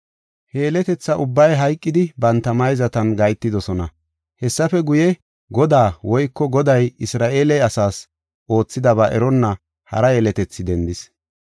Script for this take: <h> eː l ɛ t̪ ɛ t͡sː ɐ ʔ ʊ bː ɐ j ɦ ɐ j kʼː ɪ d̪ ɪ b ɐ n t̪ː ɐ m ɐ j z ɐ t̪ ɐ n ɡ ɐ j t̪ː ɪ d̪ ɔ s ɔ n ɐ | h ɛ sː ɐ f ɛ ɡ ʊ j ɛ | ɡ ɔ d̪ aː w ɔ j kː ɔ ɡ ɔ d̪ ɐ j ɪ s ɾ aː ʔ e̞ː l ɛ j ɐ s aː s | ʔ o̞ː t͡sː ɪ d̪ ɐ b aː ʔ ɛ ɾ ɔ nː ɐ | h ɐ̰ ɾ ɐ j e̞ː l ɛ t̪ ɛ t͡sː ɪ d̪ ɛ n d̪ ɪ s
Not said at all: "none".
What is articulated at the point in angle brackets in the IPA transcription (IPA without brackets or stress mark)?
h